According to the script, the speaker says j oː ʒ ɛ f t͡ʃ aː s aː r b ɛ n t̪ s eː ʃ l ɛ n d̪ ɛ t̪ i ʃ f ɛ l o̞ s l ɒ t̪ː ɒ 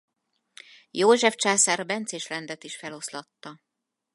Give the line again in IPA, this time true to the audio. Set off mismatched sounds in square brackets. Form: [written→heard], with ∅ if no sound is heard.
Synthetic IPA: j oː ʒ ɛ f t͡ʃ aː s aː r b ɛ n t̪ s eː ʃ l ɛ n d̪ ɛ t̪ i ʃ f ɛ l o̞ s l ɒ t̪ː ɒ

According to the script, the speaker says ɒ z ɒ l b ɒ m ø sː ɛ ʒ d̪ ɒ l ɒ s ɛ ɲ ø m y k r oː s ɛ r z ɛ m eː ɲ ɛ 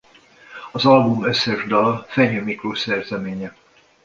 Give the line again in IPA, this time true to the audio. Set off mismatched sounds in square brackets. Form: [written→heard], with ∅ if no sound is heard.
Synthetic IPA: ɒ z ɒ l b [ɒ→u] m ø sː ɛ ʒ d̪ ɒ l ɒ [s→f] ɛ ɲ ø m [y→i] k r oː s ɛ r z ɛ m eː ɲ ɛ

